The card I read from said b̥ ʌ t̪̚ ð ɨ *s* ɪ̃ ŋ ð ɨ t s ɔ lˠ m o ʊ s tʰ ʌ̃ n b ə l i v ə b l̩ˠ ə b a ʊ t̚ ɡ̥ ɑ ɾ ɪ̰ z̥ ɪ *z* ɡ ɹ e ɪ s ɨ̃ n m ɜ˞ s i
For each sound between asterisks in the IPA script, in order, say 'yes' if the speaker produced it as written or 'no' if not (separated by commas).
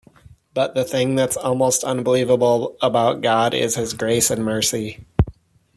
no, yes